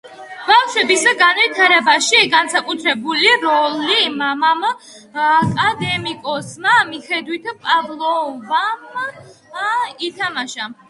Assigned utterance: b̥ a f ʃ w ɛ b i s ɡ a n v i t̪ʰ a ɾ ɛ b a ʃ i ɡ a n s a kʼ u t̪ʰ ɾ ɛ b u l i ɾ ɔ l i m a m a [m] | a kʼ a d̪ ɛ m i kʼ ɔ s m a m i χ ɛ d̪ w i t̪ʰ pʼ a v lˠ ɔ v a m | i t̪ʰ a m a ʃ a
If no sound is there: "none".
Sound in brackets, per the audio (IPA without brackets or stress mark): m